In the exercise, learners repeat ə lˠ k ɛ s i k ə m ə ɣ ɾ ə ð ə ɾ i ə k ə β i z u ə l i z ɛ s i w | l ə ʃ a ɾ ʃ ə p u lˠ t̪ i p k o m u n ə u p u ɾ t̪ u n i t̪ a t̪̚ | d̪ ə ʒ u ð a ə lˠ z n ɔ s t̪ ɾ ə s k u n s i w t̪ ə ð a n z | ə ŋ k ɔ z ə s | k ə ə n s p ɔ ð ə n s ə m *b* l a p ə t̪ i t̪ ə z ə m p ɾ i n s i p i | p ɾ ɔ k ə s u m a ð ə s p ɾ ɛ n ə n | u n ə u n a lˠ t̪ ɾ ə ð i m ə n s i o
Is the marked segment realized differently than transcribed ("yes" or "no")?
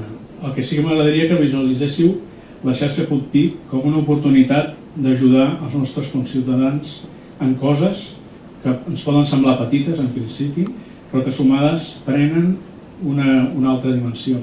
no